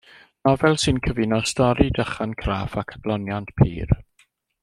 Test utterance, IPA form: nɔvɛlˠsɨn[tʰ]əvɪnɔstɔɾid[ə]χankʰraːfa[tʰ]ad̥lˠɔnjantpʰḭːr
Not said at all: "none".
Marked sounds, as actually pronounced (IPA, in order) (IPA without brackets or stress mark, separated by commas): kʰ, ə, kʰ